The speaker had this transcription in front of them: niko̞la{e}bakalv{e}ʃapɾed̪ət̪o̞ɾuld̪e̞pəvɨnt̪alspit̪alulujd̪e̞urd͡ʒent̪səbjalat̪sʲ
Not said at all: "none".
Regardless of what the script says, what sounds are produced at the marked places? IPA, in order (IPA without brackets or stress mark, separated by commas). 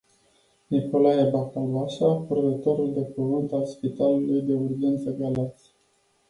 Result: e, a